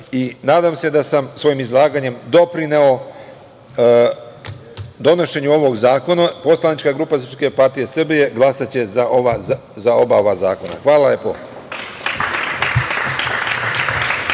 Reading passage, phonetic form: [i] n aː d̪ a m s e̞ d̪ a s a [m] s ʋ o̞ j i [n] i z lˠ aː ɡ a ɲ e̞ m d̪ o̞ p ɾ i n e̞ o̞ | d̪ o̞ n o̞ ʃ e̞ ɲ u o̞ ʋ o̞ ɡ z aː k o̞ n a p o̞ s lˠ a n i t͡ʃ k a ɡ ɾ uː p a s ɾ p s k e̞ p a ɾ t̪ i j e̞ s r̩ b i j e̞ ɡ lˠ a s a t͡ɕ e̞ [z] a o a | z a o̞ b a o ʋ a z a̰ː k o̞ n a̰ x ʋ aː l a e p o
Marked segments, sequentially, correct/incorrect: correct, correct, incorrect: m, correct

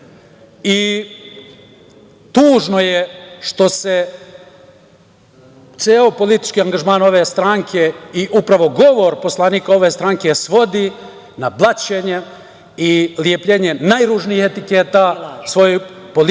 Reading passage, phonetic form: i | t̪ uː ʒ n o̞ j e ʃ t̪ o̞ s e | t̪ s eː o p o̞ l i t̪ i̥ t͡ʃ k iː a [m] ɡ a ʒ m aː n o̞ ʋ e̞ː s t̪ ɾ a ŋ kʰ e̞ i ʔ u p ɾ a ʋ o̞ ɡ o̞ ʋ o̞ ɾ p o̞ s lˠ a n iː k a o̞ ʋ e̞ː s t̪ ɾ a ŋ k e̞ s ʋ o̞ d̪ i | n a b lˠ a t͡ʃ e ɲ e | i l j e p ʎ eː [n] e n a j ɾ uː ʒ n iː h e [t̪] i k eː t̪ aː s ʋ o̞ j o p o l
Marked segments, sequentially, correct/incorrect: incorrect: ŋ, incorrect: ɲ, correct

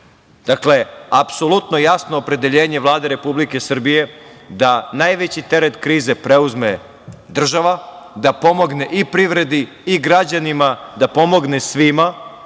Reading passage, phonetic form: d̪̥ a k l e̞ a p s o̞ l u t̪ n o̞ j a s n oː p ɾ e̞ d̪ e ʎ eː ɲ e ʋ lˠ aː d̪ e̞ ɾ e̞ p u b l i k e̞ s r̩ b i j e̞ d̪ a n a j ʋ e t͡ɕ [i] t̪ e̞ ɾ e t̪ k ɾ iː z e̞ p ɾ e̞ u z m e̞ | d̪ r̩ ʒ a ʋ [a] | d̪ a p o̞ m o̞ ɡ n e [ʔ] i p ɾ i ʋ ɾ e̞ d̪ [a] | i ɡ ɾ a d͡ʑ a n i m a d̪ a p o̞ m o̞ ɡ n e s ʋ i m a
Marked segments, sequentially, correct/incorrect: correct, correct, correct, incorrect: i

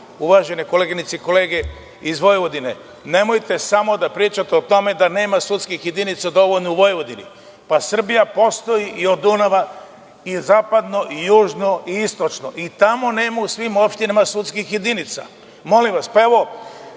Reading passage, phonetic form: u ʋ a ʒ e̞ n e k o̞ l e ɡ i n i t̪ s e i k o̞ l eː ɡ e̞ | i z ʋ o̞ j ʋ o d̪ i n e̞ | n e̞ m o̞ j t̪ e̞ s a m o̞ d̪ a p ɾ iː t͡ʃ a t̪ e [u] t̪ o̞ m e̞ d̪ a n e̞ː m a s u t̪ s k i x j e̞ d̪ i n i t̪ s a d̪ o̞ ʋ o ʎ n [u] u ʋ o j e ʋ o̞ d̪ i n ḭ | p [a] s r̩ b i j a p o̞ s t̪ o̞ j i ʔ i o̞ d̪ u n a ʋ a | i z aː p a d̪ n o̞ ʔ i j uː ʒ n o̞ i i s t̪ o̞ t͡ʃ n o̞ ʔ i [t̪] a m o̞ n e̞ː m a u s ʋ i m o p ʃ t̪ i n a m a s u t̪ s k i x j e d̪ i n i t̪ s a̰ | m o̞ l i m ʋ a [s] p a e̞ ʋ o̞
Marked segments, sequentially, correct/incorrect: incorrect: o, incorrect: o, correct, correct, correct

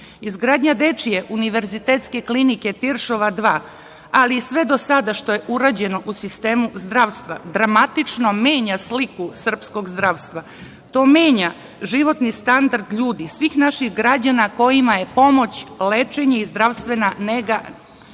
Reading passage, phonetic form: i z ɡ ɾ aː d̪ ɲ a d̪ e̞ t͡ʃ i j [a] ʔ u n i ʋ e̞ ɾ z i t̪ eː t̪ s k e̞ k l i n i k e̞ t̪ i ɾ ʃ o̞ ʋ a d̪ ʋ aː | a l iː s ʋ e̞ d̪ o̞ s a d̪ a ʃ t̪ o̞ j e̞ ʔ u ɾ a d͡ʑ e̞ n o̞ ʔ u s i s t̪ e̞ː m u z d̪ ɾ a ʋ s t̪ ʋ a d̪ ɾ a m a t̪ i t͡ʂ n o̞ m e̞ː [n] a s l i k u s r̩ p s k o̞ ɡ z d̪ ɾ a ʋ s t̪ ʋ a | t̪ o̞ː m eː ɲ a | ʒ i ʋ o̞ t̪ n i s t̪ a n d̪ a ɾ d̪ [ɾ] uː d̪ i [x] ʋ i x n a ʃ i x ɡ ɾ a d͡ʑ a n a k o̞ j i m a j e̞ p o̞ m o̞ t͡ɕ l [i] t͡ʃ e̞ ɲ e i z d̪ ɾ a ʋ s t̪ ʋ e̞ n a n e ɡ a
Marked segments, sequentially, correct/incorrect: incorrect: e, incorrect: ɲ, incorrect: ʎ, incorrect: s, incorrect: e

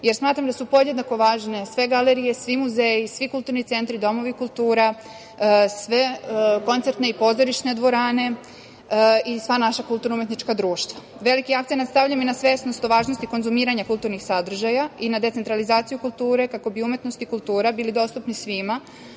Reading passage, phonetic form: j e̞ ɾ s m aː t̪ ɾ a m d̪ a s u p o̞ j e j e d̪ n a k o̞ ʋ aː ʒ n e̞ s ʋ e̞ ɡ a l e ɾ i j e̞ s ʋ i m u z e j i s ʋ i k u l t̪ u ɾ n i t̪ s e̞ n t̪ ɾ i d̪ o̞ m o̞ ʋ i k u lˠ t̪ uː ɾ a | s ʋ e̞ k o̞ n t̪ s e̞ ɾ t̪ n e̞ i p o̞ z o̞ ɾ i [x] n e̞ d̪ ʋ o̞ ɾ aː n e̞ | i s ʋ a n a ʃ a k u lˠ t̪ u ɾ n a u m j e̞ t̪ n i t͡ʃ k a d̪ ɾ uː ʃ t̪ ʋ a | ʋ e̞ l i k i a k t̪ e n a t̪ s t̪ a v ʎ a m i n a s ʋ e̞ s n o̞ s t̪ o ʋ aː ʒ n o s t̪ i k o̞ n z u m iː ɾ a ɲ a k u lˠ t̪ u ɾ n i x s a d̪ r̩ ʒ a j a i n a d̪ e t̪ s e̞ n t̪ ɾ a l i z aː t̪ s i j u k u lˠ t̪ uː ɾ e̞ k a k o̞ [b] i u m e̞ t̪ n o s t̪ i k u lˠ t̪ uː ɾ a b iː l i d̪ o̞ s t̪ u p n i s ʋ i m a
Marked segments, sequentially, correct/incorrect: incorrect: ʃ, correct

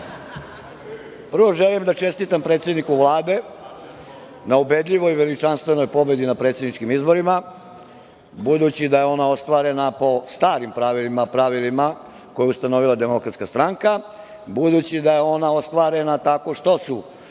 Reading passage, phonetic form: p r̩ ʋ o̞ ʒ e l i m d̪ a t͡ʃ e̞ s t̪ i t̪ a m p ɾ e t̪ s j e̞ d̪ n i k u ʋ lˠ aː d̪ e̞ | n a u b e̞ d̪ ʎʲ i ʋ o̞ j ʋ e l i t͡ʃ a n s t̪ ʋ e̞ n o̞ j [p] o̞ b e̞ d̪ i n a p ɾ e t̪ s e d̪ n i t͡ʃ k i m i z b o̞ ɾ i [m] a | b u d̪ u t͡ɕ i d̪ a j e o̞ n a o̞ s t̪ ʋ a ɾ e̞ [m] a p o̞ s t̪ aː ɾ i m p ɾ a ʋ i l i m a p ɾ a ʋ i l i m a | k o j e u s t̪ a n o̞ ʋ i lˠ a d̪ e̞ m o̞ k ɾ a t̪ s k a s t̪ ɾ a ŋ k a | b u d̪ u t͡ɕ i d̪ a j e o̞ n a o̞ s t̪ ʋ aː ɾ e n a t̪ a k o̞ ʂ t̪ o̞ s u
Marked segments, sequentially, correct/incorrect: correct, correct, incorrect: n

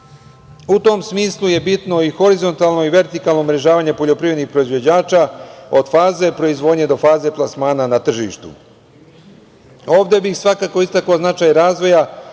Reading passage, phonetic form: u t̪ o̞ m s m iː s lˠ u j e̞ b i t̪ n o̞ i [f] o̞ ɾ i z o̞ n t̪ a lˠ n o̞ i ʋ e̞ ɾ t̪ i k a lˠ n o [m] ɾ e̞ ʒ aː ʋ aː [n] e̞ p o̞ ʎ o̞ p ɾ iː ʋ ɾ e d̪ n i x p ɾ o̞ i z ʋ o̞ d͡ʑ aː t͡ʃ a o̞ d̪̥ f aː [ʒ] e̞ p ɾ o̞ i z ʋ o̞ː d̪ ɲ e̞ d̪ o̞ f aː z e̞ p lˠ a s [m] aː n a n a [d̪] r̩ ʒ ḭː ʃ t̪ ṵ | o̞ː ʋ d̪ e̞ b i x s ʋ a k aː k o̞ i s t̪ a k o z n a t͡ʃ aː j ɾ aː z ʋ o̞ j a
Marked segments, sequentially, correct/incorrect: incorrect: x, correct, incorrect: ɲ, incorrect: z, correct, incorrect: t̪

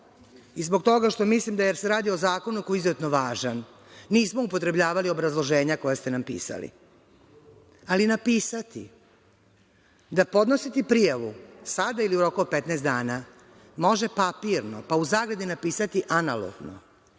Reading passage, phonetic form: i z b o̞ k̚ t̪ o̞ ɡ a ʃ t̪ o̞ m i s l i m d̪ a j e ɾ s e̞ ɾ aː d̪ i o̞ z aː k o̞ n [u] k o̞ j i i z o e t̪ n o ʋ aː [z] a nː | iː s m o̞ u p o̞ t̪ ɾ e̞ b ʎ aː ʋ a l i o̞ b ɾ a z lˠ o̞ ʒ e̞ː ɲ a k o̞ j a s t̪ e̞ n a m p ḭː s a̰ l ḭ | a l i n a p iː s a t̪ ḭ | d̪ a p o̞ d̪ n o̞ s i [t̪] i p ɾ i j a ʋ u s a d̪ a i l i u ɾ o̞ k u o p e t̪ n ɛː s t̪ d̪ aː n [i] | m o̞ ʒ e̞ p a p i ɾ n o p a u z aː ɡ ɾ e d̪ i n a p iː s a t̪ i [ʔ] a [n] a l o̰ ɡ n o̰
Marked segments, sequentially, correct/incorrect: correct, incorrect: ʒ, correct, incorrect: a, correct, correct

